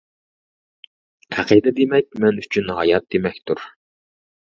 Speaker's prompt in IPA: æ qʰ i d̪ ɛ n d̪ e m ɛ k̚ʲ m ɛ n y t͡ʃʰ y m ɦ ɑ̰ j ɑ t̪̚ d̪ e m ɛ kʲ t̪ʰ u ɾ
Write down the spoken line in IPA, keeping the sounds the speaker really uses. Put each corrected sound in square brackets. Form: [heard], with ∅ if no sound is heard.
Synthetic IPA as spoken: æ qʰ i d̪ ɛ [∅] d̪ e m ɛ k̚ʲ m ɛ n y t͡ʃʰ y [n] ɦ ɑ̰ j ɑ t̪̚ d̪ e m ɛ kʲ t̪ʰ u ɾ